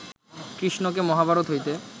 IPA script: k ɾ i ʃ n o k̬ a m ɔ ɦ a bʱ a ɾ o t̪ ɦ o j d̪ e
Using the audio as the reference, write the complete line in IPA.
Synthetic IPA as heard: k ɾ i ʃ n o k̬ e m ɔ ɦ a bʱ a ɾ o t̪ ɦ o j t̪ e